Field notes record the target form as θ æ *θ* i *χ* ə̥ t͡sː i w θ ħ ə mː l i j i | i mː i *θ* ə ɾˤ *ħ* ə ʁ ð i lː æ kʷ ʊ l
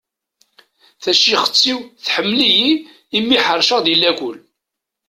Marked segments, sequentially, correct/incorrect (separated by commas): incorrect, correct, incorrect, incorrect